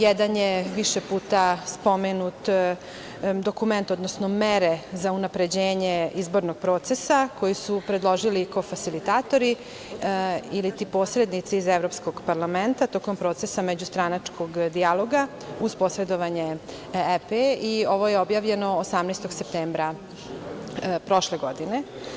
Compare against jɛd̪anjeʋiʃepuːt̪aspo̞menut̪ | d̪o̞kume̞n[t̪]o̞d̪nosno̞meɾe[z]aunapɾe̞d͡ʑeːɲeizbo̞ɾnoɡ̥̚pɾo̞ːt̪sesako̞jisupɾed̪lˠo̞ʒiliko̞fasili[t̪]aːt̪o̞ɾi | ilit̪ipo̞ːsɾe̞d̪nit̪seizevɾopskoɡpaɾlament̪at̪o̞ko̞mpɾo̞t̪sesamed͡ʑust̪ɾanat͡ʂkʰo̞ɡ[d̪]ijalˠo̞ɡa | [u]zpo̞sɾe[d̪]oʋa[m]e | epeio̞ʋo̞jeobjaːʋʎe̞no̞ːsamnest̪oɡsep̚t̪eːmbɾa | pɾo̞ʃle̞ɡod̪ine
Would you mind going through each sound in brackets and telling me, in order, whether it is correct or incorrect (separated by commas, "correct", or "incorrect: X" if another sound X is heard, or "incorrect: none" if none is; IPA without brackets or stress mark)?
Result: correct, correct, correct, correct, correct, correct, incorrect: ɲ